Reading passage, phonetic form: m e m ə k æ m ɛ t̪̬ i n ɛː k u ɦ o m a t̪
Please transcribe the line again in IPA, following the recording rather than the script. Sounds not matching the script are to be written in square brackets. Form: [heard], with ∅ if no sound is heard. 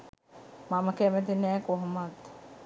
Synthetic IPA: m [a] m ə k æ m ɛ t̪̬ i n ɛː k [o] ɦ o m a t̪

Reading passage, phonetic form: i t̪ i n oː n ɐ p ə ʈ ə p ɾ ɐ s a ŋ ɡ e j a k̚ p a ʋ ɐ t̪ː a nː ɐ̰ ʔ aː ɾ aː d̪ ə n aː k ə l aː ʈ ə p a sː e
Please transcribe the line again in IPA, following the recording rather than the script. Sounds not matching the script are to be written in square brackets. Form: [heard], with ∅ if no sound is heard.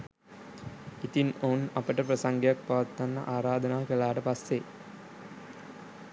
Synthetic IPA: i t̪ i n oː n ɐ p ə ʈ ə p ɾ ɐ s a ŋ ɡ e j a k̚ p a ʋ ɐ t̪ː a nː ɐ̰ ʔ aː ɾ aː d̪ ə n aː k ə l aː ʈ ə p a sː e

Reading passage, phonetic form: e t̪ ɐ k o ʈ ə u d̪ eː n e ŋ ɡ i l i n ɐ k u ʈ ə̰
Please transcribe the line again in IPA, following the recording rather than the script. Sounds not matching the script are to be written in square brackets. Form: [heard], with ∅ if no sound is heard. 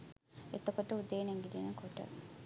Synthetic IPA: e t̪ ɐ k o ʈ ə u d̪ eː n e ŋ ɡ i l i n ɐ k [o] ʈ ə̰

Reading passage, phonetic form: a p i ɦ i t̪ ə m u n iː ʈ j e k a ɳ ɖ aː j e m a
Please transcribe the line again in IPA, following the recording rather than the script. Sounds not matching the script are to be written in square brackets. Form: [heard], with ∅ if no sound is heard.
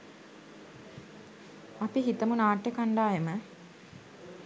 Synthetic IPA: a p i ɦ i t̪ ə m u n [aː] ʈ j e k a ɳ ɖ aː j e m [ə]

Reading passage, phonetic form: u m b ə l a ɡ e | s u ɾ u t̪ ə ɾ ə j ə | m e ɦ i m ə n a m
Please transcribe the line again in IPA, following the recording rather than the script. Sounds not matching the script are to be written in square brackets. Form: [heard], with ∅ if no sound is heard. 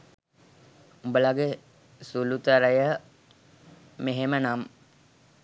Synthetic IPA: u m b ə l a ɡ e | s u [l] u t̪ ə ɾ ə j ə | m e ɦ [e] m ə n a m

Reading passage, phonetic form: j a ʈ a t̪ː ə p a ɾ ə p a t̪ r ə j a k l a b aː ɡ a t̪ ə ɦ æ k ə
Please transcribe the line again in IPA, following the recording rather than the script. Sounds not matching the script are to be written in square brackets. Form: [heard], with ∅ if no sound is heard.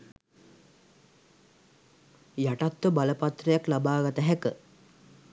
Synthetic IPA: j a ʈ a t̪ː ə [b] a [l] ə p a t̪ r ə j a k l a b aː ɡ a t̪ ə ɦ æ k ə

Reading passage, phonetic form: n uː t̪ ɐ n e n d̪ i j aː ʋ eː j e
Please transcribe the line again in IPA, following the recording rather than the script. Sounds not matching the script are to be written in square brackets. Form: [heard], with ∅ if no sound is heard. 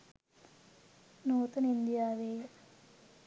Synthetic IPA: n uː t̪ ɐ n [i] n d̪ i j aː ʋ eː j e

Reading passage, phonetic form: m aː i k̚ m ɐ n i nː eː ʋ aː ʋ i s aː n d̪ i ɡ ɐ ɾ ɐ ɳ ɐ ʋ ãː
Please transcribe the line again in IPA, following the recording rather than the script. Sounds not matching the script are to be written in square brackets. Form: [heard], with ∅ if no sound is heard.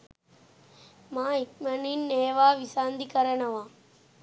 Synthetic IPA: m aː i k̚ m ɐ n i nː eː ʋ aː ʋ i s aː n d̪ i [k] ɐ ɾ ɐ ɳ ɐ ʋ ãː

